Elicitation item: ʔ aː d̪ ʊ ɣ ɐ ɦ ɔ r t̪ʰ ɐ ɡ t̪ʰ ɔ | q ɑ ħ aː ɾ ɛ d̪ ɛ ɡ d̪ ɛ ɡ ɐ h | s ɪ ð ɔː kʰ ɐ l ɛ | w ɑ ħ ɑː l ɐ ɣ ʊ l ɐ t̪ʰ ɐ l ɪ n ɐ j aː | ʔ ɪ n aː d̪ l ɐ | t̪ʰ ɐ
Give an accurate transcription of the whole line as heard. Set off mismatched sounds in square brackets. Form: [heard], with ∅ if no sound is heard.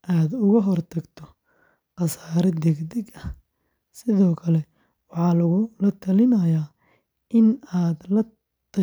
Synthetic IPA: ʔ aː d̪ ʊ ɣ ɐ ɦ ɔ r t̪ʰ ɐ ɡ t̪ʰ ɔ | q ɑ [s] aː ɾ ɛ d̪ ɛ ɡ d̪ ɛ ɡ ɐ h | s ɪ ð ɔː kʰ ɐ l ɛ | w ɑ ħ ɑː l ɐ ɣ ʊ l ɐ t̪ʰ ɐ l ɪ n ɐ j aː | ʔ ɪ n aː d̪ l ɐ | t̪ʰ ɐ